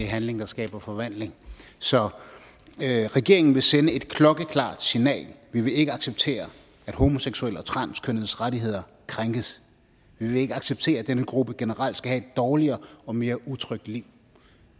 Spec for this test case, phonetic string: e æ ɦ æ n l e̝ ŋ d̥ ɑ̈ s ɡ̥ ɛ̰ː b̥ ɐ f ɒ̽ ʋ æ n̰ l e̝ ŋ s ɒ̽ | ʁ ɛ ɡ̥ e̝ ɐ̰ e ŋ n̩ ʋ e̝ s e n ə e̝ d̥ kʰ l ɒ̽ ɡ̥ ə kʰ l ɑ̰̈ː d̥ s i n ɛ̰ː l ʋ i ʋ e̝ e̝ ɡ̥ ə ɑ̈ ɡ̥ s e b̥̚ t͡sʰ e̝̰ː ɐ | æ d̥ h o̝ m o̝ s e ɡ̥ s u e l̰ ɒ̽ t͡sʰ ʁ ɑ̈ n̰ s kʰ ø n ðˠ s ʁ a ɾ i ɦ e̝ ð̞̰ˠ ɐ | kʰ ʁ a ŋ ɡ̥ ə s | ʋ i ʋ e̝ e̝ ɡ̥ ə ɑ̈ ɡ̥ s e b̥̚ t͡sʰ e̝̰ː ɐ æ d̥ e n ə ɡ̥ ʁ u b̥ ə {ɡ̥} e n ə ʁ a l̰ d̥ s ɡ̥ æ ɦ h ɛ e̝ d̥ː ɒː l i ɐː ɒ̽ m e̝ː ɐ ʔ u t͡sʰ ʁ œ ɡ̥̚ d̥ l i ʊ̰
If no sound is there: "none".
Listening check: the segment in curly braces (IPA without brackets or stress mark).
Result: ɡ̥